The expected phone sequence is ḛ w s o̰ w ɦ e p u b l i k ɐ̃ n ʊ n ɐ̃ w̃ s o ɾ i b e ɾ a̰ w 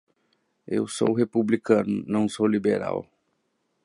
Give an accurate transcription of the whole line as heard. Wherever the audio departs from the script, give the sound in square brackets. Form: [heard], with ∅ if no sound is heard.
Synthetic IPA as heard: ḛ w s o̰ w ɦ e p u b l i k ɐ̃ n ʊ n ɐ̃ w̃ s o [l] i b e ɾ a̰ w